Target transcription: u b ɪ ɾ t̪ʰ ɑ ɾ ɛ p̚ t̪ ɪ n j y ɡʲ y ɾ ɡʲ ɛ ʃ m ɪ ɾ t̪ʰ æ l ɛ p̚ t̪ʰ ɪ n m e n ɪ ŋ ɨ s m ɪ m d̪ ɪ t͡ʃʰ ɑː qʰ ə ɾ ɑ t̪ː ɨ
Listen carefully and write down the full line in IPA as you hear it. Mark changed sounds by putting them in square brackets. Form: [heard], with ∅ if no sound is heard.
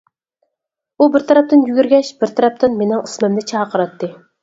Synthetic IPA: u b ɪ ɾ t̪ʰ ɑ ɾ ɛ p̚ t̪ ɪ n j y ɡʲ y ɾ ɡʲ ɛ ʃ [b] ɪ ɾ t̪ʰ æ [ɾ] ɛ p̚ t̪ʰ ɪ n m e n ɪ ŋ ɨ s m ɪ m d̪ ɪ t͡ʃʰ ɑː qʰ ə ɾ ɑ t̪ː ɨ